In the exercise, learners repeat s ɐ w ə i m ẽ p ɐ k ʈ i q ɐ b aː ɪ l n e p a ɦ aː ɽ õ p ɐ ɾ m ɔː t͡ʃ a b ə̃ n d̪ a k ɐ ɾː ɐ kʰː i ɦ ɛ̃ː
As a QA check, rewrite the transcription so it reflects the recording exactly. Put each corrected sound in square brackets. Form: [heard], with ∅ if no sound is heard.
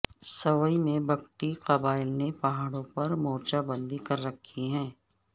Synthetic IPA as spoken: s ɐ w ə i m ẽ [b] ɐ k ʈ i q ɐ b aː ɪ l n e p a ɦ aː ɽ õ p ɐ ɾ m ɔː t͡ʃ a b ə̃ n d̪ [i] k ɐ ɾː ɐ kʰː i ɦ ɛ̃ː